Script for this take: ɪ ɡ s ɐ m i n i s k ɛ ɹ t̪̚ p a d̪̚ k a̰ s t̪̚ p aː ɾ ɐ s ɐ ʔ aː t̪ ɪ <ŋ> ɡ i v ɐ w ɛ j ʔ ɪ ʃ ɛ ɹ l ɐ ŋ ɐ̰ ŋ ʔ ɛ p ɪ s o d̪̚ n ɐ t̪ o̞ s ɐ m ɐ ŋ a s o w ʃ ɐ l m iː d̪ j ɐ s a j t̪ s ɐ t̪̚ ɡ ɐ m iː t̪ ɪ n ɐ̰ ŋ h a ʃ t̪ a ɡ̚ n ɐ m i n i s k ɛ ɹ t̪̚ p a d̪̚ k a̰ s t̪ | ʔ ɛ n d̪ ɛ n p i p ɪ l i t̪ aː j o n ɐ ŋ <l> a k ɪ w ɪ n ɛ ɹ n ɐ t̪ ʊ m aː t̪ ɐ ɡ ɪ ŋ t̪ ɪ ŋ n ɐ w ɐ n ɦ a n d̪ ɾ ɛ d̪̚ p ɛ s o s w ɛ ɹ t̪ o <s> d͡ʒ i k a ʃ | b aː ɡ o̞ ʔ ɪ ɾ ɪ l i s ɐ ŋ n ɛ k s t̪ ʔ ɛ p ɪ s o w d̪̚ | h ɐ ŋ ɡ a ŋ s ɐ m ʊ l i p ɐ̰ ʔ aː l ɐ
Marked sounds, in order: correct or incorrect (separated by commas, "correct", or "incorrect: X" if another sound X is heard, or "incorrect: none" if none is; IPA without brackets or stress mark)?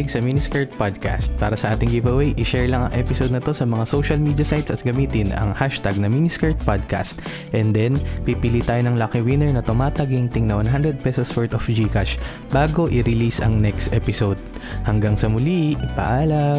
correct, correct, incorrect: f